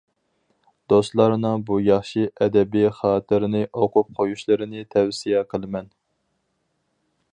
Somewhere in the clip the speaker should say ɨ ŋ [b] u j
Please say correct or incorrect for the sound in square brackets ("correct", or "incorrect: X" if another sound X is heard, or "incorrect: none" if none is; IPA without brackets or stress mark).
correct